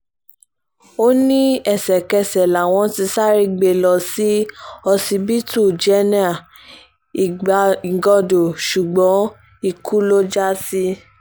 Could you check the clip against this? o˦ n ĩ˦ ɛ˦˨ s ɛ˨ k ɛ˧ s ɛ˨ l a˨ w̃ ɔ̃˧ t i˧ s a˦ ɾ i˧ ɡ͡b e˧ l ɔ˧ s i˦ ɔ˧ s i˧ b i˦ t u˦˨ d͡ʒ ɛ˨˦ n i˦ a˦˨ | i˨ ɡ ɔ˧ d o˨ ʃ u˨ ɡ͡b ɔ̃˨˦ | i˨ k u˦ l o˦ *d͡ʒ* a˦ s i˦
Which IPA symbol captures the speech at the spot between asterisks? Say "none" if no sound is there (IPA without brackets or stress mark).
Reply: d͡ʒ